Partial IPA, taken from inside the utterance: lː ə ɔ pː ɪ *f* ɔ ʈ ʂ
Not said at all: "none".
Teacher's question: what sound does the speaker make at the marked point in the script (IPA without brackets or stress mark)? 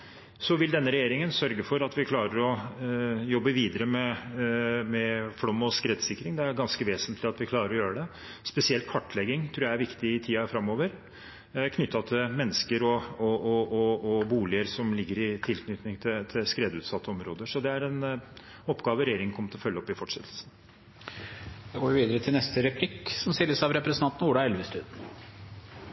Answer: f